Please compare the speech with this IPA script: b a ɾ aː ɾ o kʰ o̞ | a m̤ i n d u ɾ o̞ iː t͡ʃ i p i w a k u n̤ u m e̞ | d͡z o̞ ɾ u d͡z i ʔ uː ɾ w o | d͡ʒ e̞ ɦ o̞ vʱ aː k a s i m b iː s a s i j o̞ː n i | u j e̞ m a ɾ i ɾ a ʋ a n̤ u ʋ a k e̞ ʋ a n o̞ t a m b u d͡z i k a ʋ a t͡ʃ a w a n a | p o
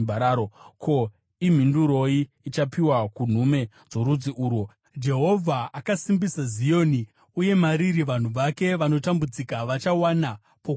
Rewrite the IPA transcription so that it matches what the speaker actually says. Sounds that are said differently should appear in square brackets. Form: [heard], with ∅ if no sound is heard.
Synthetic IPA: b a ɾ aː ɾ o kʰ o̞ | [i] m̤ i n d u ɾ o̞ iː t͡ʃ [a] p i w a k u n̤ u m e̞ | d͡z o̞ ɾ u d͡z i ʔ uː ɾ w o | d͡ʒ e̞ ɦ o̞ vʱ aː k a s i m b [i] s a [z] i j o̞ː n i | u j e̞ m a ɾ i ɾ [i] ʋ a n̤ u ʋ a k e̞ ʋ a n o̞ t a m b u d͡z i k a ʋ a t͡ʃ a w a n a | p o